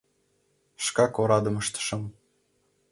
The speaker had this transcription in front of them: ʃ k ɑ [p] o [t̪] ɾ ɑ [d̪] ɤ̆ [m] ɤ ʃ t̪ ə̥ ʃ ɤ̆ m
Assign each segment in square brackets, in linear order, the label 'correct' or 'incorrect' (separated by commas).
incorrect, incorrect, correct, correct